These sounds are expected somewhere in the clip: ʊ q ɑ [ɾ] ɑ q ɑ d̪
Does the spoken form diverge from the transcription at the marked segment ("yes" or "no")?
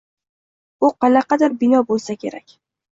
yes